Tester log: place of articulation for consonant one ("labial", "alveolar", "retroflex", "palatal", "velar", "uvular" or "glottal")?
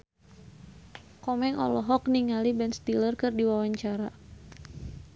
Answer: velar